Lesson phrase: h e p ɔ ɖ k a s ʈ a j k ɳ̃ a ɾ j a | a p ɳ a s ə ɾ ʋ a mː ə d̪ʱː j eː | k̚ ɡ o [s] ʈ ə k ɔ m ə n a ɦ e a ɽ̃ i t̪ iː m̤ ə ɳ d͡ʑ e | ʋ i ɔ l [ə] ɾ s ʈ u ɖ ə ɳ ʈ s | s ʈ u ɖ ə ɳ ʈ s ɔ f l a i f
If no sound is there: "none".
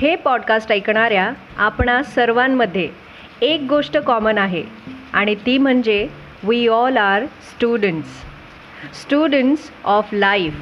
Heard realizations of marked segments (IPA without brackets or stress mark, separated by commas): ʂ, a